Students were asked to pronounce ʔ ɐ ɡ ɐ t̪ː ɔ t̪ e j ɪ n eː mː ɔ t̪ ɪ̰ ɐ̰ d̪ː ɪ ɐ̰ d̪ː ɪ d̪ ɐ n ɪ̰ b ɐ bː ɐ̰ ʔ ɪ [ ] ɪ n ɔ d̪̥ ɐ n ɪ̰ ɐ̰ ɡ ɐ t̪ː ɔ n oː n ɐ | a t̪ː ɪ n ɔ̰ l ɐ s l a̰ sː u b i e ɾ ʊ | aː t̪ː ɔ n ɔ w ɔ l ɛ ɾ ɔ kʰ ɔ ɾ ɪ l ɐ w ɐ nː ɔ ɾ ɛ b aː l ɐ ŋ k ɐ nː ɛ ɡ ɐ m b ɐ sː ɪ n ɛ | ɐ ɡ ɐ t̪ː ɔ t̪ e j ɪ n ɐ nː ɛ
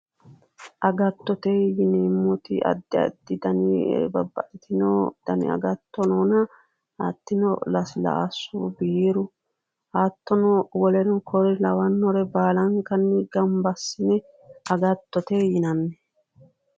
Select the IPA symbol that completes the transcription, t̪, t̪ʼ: t̪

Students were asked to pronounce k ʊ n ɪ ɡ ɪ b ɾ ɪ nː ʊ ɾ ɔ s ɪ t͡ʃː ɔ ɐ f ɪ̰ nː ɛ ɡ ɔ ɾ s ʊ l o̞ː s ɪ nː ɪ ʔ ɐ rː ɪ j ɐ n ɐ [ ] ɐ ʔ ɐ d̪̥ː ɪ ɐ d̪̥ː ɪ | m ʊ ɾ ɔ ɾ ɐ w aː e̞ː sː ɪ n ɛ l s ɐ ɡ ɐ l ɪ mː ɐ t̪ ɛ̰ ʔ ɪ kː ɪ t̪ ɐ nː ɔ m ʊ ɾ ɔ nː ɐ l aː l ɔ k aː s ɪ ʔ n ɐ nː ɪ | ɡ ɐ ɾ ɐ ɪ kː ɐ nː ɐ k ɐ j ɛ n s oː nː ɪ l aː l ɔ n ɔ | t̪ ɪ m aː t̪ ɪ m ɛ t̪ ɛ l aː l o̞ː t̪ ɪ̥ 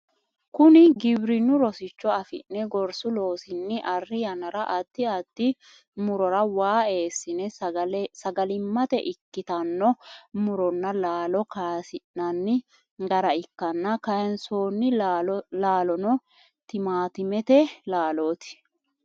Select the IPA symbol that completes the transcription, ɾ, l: ɾ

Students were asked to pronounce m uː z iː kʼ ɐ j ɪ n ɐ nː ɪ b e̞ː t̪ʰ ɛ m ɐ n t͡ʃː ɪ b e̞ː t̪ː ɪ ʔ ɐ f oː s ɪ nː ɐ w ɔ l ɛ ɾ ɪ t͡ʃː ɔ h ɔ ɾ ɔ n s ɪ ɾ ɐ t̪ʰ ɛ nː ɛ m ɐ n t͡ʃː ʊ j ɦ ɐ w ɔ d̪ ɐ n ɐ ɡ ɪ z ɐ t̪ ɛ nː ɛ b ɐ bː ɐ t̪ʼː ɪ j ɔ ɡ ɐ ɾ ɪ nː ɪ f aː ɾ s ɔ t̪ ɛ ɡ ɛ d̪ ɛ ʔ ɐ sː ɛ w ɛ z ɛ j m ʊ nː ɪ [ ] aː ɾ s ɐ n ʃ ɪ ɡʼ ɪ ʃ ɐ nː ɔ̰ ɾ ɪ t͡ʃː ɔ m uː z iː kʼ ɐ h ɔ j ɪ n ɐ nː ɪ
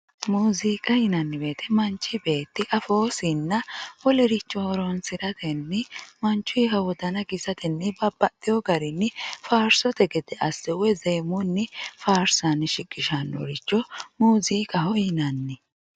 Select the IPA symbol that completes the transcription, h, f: f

